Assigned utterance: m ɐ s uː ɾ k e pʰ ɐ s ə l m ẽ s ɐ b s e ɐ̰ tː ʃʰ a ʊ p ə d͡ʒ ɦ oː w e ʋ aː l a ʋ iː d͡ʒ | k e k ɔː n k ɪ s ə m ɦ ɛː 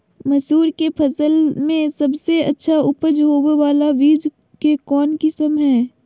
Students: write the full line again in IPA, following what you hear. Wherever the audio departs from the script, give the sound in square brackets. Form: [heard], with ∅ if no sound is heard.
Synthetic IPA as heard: m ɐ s uː ɾ k e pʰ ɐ s ə l m ẽ s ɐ b s e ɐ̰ tː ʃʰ a ʊ p ə d͡ʒ ɦ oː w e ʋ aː l a ʋ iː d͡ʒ | k e k ɔː n k ɪ s ə m ɦ ɛː